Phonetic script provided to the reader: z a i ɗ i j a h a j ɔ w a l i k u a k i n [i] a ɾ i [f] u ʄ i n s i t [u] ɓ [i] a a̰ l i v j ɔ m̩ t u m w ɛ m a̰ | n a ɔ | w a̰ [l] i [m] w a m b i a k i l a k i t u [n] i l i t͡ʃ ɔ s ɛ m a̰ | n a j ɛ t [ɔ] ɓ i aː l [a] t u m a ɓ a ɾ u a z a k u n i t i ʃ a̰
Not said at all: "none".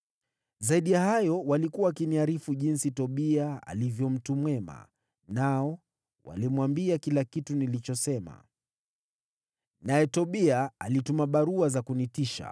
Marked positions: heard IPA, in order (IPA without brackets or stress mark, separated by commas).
i, f, ɔ, i, l, m, n, ɔ, i